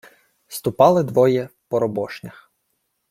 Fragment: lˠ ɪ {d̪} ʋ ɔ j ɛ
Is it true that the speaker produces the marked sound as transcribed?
yes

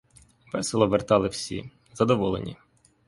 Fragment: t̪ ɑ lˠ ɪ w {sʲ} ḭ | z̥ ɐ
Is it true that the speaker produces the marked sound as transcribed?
yes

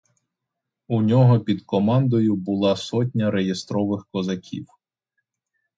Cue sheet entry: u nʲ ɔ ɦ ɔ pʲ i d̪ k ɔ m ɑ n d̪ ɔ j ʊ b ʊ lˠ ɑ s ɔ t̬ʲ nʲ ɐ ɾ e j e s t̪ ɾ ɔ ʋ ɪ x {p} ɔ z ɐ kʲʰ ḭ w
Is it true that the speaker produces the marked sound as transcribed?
no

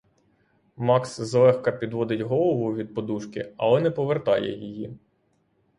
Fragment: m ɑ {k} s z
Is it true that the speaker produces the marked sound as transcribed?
yes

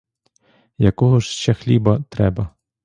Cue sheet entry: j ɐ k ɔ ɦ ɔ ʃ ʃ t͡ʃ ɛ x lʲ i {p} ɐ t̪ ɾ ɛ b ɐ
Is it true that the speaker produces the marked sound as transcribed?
no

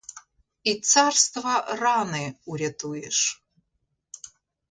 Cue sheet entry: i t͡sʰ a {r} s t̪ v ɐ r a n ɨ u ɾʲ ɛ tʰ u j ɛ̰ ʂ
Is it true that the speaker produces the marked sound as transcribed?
yes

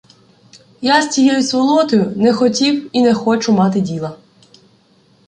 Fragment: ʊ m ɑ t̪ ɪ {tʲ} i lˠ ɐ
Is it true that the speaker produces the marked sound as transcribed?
no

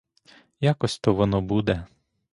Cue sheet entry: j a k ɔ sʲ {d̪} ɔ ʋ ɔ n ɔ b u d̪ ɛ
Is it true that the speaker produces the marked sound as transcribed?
no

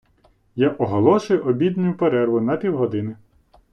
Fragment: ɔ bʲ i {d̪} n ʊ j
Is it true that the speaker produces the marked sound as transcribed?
yes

